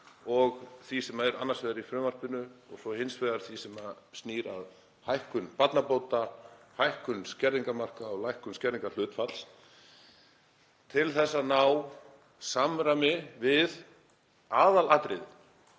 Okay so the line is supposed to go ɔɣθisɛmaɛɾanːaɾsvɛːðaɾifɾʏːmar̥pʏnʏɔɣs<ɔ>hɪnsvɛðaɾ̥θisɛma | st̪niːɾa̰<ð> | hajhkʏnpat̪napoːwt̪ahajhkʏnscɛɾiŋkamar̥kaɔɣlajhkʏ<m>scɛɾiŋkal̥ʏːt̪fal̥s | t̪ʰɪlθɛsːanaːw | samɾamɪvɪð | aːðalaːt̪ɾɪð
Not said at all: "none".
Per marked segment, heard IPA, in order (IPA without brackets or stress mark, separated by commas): ɔ, ð, n